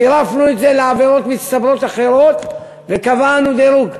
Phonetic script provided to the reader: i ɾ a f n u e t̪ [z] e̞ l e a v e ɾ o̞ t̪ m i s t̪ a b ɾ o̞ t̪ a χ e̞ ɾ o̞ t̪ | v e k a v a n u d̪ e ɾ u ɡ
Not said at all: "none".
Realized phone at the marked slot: z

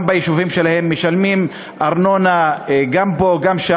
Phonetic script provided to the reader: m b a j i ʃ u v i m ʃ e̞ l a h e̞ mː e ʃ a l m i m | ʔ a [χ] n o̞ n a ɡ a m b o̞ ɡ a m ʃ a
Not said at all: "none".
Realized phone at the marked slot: ʁ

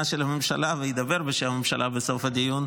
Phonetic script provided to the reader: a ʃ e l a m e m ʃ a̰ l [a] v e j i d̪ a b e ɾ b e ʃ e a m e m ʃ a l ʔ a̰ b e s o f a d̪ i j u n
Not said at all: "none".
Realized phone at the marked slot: a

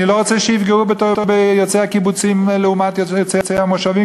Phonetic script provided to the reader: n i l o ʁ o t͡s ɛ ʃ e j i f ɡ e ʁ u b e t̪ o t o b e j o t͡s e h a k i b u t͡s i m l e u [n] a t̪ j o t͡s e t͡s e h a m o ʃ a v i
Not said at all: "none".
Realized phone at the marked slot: m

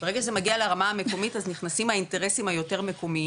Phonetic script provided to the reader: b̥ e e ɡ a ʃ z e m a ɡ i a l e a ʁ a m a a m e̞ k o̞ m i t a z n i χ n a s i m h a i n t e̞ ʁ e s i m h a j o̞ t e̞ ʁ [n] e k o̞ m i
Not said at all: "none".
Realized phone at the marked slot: m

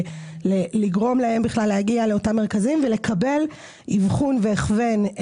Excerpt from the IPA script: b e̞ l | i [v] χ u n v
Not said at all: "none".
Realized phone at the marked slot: v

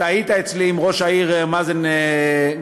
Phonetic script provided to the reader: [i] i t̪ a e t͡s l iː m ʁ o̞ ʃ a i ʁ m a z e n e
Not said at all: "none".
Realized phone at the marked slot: a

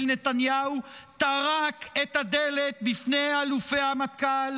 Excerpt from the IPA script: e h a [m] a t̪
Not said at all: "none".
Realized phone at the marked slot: m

